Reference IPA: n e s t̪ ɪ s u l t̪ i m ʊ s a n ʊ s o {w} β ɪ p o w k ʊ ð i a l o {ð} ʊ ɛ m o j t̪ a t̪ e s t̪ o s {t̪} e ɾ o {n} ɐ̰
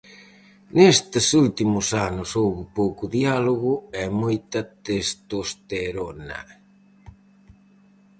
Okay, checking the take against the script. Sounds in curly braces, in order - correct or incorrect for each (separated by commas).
correct, incorrect, correct, correct